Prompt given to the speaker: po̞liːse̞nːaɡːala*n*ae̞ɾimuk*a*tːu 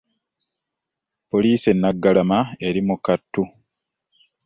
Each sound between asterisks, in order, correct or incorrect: incorrect, correct

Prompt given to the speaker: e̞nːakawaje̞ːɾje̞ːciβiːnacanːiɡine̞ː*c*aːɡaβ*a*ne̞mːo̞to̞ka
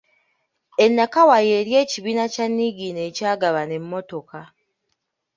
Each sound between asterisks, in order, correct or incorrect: correct, correct

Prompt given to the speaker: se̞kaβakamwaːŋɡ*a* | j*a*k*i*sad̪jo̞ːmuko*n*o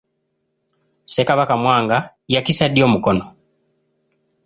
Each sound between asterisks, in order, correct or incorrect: correct, correct, correct, correct

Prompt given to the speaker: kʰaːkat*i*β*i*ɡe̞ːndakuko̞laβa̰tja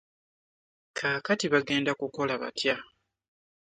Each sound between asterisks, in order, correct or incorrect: correct, incorrect

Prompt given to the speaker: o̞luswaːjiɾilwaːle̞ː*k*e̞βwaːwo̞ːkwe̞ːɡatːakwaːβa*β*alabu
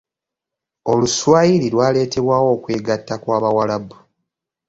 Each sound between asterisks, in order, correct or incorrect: incorrect, incorrect

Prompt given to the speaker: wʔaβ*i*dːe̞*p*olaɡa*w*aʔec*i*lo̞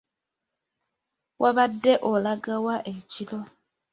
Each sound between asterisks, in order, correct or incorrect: incorrect, incorrect, correct, correct

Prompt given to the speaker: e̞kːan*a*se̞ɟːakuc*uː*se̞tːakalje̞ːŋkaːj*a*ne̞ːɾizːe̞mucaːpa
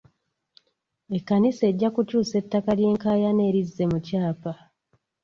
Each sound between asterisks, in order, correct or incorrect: incorrect, correct, correct

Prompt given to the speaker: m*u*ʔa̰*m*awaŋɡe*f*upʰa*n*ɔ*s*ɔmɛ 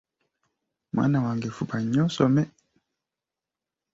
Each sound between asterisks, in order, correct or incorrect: incorrect, incorrect, correct, incorrect, correct

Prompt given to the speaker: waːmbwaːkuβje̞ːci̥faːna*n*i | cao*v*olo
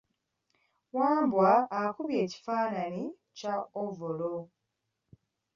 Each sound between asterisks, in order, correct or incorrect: correct, correct

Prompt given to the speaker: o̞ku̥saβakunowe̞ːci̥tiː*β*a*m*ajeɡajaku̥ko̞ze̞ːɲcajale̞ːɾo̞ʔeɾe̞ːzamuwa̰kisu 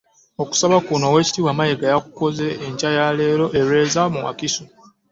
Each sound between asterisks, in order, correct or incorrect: incorrect, correct

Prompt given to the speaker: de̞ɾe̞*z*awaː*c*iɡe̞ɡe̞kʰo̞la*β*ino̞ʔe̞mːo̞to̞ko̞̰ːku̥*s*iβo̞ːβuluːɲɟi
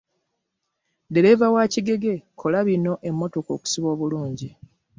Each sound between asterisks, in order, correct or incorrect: incorrect, correct, correct, correct

